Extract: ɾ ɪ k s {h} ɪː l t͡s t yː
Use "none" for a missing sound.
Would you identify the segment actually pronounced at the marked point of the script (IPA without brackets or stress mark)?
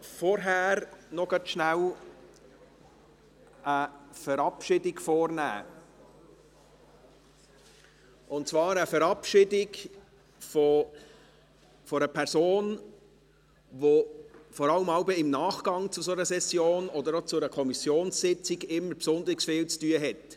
f